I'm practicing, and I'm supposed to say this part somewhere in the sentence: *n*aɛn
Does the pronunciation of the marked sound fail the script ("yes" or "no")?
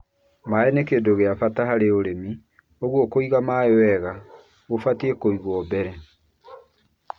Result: yes